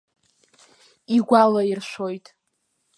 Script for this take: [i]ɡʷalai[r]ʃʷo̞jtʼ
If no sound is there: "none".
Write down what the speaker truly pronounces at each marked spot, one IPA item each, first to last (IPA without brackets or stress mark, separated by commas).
i, r